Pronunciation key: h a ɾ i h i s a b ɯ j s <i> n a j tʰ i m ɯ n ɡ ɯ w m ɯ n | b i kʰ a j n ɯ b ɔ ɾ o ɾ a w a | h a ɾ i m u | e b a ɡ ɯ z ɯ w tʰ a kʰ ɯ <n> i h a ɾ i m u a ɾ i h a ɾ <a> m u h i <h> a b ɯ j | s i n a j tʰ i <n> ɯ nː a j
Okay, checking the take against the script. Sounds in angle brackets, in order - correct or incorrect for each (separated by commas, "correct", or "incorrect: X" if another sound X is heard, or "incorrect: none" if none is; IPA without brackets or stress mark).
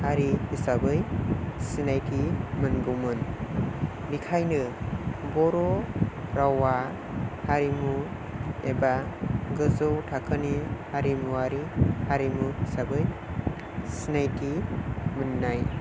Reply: correct, correct, incorrect: i, incorrect: s, incorrect: m